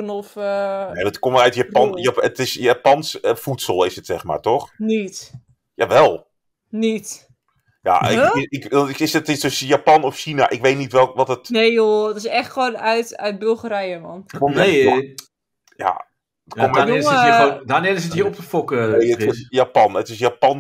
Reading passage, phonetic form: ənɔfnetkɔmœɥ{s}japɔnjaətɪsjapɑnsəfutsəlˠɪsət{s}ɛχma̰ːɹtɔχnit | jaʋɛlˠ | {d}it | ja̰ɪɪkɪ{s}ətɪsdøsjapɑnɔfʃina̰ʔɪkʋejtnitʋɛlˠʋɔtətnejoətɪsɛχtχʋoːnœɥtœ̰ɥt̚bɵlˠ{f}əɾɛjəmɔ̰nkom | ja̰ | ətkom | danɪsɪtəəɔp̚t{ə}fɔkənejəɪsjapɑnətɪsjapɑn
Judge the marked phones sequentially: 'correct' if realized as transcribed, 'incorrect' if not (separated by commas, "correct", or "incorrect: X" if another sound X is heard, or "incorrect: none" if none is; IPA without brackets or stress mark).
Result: incorrect: t, correct, incorrect: n, correct, incorrect: χ, correct